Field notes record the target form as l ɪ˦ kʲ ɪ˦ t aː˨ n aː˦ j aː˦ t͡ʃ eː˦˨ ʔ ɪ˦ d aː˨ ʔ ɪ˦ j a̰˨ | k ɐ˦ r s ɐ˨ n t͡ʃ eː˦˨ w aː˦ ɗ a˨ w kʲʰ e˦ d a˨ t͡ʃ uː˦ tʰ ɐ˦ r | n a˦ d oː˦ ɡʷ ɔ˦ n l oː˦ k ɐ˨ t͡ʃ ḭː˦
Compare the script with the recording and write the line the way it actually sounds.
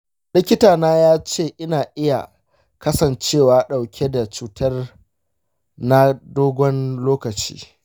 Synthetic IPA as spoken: l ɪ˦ kʲ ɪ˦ t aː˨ n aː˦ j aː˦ t͡ʃ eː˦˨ ʔ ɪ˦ n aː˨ ʔ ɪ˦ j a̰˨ | k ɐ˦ s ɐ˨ n t͡ʃ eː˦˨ w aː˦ ɗ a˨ w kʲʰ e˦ d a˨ t͡ʃ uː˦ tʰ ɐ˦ r | n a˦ d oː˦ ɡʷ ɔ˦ n l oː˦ k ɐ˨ t͡ʃ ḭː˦